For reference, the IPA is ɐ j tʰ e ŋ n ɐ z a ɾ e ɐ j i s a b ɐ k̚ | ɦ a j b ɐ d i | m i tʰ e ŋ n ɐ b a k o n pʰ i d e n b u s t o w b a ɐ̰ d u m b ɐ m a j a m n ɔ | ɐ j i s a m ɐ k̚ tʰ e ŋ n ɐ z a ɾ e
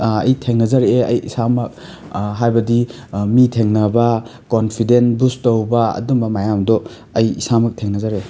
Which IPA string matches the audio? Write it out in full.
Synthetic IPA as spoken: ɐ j tʰ e ŋ n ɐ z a ɾ e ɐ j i s a m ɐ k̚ | ɦ a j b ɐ d i | m i tʰ e ŋ n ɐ b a k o n pʰ i d e n b u s t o w b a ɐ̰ d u m b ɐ m a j a m d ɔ | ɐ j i s a m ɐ k̚ tʰ e ŋ n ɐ z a ɾ e